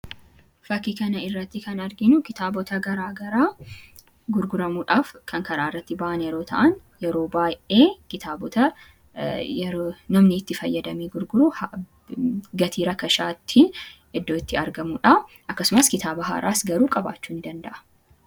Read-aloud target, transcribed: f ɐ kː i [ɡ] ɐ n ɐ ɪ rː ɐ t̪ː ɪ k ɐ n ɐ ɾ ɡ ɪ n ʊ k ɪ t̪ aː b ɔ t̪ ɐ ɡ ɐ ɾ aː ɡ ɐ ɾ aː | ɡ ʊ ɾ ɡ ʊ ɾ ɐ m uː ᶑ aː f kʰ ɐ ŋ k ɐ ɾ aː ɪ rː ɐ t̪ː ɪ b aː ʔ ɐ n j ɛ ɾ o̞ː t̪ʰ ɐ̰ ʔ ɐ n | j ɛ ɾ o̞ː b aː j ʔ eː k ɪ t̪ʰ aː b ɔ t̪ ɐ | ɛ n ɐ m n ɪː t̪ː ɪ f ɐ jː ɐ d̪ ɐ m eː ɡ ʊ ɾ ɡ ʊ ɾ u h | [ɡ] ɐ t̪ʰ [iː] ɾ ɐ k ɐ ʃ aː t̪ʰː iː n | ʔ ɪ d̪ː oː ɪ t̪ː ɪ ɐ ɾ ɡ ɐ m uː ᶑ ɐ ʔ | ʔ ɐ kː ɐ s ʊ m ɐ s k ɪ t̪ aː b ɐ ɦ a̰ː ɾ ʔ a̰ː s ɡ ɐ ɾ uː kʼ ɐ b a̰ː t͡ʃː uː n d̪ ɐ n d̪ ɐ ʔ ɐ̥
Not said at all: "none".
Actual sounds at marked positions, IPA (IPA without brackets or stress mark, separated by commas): k, ɡ, iː